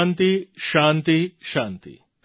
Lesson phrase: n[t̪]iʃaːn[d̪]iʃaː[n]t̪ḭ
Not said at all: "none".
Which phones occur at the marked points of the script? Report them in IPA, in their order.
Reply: t̪, t̪, n

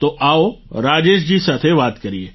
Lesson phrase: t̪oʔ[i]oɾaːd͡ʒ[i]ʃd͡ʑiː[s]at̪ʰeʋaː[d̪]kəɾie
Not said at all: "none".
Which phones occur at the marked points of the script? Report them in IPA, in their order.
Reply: a, e, s, t̪

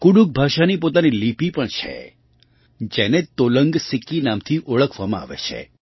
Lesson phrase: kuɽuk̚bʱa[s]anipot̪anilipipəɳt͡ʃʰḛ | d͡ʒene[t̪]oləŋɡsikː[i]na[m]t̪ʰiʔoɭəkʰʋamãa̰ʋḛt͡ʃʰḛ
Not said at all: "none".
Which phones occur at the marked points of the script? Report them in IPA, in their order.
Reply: ʃ, t̪, i, m

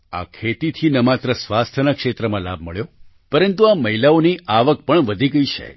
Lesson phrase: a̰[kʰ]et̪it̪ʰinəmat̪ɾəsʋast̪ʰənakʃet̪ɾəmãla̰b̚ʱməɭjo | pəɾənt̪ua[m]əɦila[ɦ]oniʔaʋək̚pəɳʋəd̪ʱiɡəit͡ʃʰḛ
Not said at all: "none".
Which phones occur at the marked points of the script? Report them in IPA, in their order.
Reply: kʰ, m, none

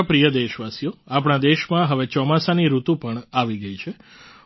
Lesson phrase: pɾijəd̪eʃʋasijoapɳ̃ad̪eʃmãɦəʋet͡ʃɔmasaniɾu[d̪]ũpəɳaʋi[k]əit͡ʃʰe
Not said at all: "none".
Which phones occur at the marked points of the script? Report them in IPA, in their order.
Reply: t̪, ɡ

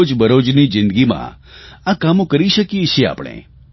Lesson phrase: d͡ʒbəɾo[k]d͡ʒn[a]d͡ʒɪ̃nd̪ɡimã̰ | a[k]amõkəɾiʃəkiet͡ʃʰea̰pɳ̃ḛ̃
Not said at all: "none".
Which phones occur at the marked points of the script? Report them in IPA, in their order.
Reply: none, i, k

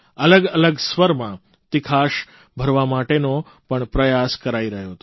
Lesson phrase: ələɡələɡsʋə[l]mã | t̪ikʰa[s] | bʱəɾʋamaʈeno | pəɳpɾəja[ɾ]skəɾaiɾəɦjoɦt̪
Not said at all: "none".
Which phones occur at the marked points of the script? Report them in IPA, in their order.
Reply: ɾ, ʃ, none

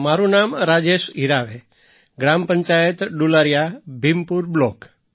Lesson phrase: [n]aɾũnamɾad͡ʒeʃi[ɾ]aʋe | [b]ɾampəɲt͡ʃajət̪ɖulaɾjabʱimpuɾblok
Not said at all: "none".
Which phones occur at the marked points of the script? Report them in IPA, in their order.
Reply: m, ɾ, ɡ

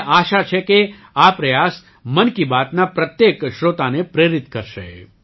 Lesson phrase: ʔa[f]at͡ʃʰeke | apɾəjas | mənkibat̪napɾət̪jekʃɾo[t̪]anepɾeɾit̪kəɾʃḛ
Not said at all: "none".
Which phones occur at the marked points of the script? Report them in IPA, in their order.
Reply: ʃ, t̪

